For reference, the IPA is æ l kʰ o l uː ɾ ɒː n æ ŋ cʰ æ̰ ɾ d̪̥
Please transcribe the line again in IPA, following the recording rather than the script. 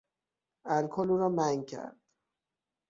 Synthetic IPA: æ l kʰ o l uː ɾ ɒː m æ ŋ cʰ æ̰ ɾ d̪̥